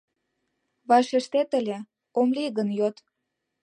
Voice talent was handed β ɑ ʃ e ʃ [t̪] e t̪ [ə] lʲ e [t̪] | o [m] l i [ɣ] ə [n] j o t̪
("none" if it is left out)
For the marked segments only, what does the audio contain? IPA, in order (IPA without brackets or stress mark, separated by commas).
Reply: t̪, ə, none, m, ɣ, n